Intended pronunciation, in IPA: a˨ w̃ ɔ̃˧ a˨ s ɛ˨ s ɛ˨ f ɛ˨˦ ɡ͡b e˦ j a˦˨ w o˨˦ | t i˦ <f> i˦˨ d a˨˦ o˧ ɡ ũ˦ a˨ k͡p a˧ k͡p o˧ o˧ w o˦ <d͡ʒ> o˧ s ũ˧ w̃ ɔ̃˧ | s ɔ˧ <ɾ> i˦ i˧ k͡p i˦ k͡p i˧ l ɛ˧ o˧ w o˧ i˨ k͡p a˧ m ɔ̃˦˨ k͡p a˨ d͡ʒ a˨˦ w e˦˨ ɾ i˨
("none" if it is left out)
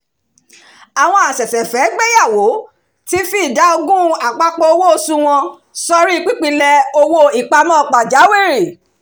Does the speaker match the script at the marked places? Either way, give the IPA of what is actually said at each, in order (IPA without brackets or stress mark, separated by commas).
f, none, ɾ